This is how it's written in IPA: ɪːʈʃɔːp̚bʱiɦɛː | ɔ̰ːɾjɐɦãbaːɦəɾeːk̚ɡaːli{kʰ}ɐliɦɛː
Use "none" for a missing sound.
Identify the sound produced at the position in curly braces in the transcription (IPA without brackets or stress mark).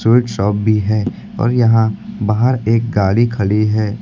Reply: kʰ